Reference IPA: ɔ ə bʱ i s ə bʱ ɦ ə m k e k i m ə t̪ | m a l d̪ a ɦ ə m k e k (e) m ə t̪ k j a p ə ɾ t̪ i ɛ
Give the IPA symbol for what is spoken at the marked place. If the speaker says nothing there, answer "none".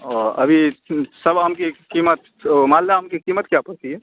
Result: i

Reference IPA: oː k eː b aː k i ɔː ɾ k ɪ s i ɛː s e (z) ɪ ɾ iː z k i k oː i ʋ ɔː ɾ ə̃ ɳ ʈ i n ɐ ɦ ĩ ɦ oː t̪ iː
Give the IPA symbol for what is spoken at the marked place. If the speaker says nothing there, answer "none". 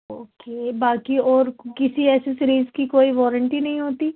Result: s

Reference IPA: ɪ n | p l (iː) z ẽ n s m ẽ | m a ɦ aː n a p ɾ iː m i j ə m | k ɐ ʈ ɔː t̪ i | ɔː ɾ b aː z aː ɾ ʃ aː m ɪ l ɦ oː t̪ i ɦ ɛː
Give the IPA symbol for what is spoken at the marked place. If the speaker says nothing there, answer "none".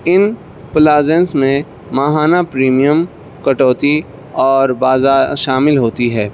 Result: aː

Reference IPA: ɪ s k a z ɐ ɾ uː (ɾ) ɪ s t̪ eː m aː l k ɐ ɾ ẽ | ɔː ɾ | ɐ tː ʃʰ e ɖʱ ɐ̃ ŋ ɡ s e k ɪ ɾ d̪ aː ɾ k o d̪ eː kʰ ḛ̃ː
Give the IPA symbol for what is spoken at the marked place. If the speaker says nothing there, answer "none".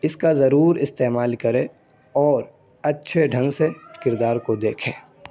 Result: ɾ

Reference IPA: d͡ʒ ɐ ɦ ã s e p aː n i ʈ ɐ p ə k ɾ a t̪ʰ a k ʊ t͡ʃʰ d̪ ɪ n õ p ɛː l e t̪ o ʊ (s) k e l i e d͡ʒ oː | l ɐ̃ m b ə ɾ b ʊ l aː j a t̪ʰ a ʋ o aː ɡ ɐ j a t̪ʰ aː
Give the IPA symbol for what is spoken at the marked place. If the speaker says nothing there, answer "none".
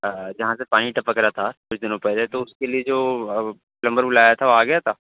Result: s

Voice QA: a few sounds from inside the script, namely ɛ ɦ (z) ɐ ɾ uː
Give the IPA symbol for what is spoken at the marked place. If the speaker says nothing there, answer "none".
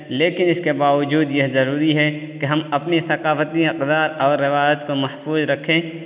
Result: z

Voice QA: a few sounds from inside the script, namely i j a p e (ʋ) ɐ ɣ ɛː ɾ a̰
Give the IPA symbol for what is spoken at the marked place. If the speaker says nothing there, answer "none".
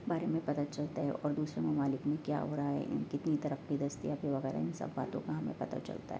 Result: ʋ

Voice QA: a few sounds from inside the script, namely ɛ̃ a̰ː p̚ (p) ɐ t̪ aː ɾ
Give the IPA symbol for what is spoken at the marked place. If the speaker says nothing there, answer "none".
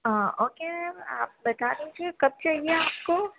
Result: b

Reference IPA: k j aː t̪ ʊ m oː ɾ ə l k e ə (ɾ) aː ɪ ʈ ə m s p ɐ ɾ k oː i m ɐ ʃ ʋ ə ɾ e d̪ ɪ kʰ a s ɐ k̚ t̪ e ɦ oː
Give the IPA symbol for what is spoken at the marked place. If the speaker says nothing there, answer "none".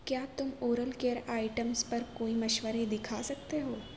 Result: ɾ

